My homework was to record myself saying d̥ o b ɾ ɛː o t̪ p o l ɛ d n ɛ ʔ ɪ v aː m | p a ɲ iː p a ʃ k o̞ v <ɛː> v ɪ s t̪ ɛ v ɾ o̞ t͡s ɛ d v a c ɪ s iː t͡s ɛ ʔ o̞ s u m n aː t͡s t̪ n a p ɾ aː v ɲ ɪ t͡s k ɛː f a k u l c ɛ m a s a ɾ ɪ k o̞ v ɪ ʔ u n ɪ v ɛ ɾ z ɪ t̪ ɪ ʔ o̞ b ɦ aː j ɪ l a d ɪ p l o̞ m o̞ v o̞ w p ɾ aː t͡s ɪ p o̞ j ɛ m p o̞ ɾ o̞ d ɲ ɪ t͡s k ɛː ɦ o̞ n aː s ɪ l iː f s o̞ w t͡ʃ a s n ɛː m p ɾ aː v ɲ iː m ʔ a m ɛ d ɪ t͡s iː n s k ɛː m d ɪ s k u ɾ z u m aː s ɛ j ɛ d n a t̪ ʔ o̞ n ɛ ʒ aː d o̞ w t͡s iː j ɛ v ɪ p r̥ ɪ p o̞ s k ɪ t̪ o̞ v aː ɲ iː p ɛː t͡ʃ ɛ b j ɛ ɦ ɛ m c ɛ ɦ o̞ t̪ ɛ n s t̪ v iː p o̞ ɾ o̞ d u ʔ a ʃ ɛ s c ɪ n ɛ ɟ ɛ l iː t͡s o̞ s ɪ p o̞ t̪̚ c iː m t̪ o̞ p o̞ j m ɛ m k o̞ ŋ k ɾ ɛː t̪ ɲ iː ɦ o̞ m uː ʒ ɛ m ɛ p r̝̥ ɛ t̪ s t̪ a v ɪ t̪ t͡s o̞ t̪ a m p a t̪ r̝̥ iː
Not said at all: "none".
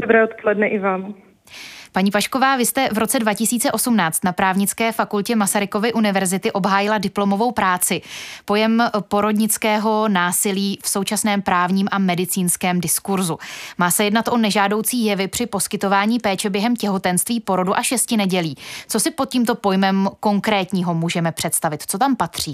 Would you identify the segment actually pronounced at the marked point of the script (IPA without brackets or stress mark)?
aː